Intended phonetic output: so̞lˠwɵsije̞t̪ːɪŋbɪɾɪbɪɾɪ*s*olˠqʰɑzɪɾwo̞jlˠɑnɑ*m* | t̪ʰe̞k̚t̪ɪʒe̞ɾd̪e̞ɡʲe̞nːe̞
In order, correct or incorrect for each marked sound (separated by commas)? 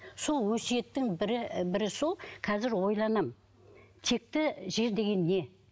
correct, correct